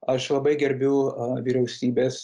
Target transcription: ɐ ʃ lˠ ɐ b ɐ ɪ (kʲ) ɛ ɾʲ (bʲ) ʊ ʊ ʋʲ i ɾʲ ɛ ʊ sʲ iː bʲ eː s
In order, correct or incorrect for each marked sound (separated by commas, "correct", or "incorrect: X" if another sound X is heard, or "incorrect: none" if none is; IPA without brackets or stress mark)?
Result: incorrect: ɡʲ, correct